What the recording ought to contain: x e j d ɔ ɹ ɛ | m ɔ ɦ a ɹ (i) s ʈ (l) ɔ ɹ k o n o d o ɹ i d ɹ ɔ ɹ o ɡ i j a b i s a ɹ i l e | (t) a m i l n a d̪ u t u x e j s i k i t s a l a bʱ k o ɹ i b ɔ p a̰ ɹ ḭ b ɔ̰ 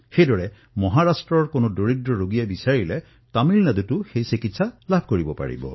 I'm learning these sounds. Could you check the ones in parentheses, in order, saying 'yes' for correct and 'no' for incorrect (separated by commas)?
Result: no, no, yes